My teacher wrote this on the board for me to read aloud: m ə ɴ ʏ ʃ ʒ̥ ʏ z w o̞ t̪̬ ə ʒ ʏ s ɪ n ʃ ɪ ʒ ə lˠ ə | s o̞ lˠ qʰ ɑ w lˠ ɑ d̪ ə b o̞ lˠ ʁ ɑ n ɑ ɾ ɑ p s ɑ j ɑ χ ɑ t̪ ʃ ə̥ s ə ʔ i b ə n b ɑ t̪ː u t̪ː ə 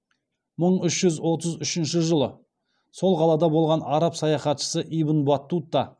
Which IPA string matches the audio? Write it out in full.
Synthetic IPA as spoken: m ə ɴ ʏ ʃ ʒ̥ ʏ z w o̞ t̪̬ ə z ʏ ʃ ɪ n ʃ ɪ ʒ ə lˠ ə | s o̞ lˠ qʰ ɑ lˠ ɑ d̪ ɑ b o̞ lˠ ʁ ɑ n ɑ ɾ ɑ p s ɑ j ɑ χ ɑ t̪ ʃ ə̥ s ə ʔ i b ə n b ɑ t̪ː u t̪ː ɑ